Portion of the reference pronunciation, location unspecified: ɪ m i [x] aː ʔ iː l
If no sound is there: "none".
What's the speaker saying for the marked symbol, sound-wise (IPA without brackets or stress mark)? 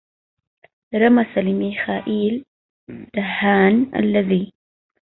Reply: x